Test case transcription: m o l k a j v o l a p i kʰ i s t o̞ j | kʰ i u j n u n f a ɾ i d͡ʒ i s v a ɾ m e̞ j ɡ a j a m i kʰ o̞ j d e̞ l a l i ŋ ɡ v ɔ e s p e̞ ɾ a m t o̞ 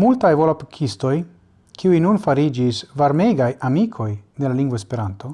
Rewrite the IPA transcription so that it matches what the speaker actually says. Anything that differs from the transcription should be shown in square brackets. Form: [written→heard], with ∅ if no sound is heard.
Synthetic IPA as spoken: m [o→u] l [k→t] a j v o l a p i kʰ i s t o̞ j | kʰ i u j n u n f a ɾ i d͡ʒ i s v a ɾ m e̞ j ɡ a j a m i kʰ o̞ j d e̞ l a l i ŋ ɡ v [ɔ→o] e s p e̞ ɾ a [m→n] t o̞